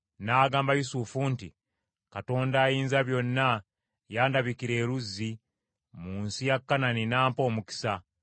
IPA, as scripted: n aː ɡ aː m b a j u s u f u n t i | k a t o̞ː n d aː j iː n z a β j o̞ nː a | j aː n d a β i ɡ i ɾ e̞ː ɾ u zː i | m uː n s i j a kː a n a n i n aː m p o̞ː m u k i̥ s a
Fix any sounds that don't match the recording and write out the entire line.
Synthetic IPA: n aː ɡ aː m b a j u s u f u n t i | k a t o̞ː n d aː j iː n z a β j o̞ nː a | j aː n d a β i k i ɾ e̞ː ɾ u zː i | m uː n s i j a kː a n a n i n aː m p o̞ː m u k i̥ s a